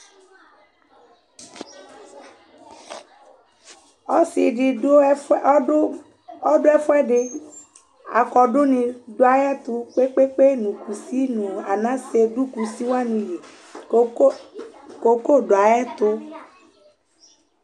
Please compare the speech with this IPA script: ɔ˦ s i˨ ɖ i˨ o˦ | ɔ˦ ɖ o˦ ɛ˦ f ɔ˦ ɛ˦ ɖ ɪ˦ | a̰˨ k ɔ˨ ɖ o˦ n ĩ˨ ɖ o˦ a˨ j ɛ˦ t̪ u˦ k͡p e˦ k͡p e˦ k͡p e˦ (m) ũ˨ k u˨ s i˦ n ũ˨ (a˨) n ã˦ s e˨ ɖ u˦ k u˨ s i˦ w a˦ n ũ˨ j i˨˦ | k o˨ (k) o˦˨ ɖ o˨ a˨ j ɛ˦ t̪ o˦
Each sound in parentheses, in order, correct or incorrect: incorrect: n, correct, correct

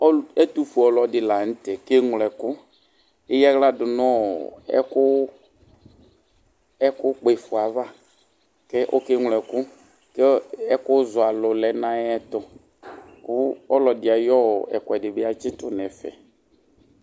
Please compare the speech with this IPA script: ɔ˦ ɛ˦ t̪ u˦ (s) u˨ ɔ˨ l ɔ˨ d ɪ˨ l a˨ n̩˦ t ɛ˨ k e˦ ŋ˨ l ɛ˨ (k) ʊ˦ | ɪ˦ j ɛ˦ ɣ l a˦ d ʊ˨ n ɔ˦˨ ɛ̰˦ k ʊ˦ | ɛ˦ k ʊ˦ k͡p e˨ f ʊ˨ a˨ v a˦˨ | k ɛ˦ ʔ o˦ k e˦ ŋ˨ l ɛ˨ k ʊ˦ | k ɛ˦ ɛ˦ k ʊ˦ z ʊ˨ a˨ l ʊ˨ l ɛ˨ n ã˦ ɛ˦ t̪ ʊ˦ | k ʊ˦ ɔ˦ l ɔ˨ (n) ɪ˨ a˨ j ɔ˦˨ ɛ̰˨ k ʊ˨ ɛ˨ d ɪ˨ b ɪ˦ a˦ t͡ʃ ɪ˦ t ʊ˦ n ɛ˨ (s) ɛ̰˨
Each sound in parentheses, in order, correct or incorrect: incorrect: f, correct, incorrect: d, incorrect: f

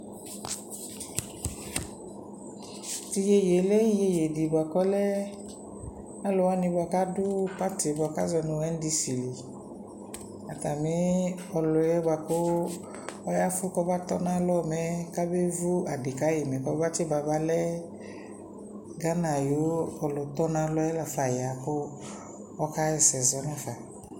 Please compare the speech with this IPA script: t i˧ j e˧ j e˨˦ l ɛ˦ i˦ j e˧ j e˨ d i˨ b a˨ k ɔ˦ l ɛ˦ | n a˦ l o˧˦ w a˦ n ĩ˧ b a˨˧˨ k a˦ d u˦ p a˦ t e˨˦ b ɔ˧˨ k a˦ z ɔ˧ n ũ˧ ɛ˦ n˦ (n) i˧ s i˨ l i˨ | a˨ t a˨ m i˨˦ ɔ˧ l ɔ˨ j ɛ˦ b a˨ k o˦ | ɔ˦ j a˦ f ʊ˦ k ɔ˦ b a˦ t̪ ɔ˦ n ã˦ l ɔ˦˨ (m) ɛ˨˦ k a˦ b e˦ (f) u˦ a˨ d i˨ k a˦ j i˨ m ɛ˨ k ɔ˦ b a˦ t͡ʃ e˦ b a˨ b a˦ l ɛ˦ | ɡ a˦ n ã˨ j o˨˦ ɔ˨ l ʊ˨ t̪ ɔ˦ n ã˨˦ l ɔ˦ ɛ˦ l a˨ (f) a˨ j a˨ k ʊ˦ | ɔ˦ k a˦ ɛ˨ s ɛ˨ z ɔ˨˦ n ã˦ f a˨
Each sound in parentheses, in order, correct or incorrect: incorrect: d, correct, incorrect: v, correct

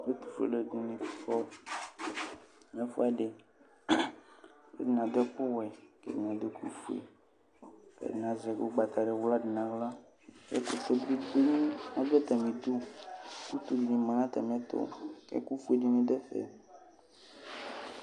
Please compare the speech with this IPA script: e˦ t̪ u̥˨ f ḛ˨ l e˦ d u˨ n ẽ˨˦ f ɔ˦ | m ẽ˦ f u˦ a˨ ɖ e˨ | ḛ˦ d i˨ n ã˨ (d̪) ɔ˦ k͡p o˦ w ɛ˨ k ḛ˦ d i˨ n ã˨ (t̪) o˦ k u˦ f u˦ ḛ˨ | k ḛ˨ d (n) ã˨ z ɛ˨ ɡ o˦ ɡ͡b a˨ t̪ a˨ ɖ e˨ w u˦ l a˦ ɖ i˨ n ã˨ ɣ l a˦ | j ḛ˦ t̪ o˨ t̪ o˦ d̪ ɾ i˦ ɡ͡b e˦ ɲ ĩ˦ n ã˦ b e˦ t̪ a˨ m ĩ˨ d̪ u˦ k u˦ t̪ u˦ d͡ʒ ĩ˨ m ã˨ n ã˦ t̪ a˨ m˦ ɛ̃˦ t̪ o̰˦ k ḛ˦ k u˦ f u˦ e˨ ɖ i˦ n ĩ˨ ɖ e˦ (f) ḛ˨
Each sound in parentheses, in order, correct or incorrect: correct, incorrect: d̪, correct, correct

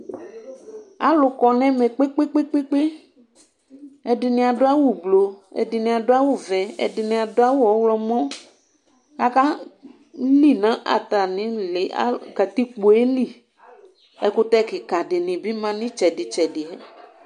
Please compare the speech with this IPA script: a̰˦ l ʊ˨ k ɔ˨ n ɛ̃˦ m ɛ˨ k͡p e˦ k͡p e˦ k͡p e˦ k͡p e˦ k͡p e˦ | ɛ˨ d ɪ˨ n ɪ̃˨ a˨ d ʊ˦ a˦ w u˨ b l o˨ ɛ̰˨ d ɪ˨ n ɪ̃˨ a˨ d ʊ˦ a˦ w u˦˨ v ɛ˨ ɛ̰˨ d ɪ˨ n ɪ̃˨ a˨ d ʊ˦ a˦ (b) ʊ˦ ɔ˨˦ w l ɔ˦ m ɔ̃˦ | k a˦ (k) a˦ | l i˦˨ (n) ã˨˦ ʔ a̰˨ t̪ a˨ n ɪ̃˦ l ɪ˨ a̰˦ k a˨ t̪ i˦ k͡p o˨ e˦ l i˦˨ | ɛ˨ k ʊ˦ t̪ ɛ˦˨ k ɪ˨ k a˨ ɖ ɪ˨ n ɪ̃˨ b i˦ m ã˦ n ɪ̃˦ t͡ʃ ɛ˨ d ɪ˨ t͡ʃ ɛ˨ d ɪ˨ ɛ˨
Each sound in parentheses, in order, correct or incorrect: incorrect: w, correct, correct

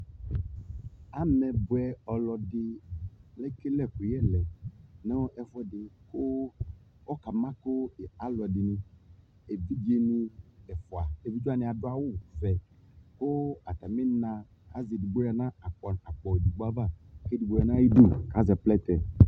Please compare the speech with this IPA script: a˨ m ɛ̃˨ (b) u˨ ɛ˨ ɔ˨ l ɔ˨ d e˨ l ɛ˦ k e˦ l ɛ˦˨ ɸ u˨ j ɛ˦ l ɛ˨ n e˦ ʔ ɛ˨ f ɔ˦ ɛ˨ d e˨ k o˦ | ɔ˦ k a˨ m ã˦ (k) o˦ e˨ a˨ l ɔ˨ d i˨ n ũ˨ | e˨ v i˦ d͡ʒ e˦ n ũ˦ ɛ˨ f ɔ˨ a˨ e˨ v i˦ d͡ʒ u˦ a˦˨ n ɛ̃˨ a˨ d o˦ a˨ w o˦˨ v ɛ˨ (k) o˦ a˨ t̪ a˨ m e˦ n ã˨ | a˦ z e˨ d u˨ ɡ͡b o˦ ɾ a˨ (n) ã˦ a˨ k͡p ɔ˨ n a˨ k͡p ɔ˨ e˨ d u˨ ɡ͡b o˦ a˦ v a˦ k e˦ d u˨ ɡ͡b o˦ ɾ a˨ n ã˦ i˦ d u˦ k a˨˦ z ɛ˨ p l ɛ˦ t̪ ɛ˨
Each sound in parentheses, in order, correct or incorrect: correct, correct, correct, correct

